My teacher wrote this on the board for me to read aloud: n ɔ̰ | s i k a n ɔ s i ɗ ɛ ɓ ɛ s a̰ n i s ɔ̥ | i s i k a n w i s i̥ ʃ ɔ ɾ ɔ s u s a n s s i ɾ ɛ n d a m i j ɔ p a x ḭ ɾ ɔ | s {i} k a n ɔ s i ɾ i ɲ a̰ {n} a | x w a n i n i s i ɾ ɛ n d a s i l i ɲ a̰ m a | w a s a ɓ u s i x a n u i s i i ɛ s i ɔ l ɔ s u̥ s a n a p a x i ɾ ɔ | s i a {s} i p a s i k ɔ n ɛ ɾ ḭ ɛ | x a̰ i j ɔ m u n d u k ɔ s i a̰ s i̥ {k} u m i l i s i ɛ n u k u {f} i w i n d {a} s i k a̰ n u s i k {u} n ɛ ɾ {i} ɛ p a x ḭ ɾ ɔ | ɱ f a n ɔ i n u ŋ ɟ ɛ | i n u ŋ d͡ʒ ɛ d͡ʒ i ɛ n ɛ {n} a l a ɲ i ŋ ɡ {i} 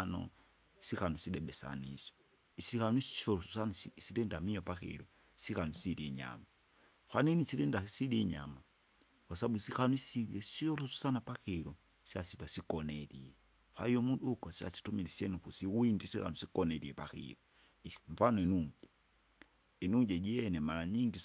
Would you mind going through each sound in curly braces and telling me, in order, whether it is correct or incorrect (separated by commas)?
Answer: correct, incorrect, correct, incorrect, incorrect, incorrect, incorrect, correct, incorrect, correct